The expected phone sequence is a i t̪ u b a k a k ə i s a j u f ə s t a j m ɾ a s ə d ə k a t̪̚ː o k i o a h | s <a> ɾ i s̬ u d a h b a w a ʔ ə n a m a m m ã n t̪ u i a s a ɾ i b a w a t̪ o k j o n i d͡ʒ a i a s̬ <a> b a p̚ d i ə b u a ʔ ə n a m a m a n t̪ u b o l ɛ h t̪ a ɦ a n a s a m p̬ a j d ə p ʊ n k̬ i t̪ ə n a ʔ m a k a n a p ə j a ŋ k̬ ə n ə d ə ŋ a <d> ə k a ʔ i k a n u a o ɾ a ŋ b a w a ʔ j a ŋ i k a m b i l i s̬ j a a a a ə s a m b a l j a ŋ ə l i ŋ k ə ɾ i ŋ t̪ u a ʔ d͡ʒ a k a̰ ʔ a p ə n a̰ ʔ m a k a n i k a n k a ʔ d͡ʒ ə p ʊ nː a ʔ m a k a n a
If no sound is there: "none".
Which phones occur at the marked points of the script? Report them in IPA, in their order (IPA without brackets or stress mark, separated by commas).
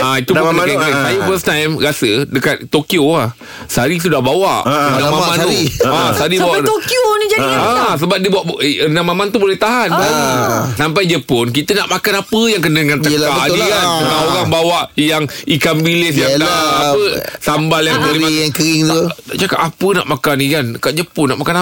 a, ə, n